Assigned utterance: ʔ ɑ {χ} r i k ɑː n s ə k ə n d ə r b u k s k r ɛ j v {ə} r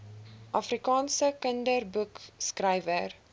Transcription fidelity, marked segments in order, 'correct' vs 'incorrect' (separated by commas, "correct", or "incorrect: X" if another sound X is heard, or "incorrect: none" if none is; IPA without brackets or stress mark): incorrect: f, correct